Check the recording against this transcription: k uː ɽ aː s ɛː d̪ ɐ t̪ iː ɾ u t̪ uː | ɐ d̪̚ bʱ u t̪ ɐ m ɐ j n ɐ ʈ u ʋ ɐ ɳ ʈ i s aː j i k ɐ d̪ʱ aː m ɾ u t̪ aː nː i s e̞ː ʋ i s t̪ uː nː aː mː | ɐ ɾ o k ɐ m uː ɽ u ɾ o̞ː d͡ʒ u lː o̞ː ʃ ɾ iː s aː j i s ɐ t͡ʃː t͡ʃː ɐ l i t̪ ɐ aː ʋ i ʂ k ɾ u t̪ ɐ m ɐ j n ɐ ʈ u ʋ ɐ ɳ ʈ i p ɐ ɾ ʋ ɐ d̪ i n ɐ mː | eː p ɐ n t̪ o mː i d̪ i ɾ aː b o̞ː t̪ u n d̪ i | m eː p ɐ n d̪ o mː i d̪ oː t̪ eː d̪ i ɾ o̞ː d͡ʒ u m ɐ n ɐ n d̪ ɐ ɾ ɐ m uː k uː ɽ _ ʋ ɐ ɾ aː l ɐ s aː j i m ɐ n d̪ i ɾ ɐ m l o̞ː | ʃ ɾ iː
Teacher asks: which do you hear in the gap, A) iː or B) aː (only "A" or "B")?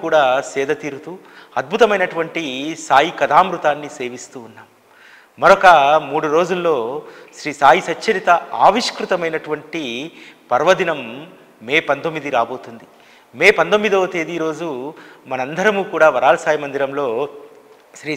B